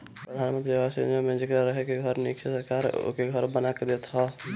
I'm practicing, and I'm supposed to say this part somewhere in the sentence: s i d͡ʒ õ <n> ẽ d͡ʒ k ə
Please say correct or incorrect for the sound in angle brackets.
incorrect: m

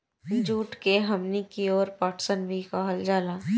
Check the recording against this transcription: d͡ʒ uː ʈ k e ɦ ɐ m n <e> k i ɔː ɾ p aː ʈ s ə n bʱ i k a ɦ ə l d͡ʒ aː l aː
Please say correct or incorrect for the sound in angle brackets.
incorrect: i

